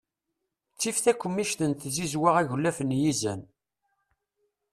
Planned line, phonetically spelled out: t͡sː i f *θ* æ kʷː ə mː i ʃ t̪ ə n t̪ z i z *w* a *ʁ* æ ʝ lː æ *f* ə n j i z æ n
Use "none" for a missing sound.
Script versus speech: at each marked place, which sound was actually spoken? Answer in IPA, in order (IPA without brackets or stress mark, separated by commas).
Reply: θ, w, ʁ, f